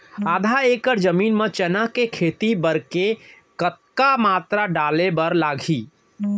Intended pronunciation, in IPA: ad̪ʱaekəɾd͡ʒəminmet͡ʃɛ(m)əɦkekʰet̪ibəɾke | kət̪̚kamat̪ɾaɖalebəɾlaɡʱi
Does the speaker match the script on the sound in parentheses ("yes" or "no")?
no